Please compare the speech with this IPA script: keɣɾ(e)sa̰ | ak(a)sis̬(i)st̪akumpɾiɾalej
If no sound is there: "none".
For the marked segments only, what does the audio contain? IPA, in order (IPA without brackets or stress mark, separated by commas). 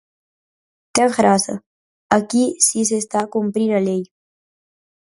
a, i, e